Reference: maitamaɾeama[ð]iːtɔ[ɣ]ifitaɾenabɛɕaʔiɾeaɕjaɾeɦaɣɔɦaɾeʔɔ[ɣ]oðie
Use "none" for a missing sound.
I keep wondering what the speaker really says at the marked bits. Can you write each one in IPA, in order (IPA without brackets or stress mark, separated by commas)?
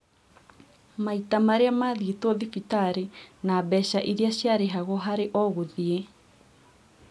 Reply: ð, ð, ɣ